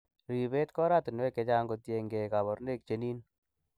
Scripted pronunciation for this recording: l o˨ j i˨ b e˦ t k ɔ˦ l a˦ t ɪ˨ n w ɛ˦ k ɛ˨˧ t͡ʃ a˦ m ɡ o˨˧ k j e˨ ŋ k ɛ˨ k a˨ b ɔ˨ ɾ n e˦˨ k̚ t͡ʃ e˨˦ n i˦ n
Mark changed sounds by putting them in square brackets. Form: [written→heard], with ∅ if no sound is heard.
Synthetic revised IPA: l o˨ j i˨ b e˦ t k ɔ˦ [l→ɾ] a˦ t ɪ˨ n w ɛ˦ k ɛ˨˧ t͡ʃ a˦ [m→ŋ] ɡ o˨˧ [k→t] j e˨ ŋ [k→ɡ] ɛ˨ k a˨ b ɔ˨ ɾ n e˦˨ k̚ t͡ʃ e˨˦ n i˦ n